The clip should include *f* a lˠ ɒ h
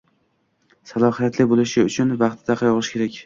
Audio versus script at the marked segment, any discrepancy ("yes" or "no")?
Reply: yes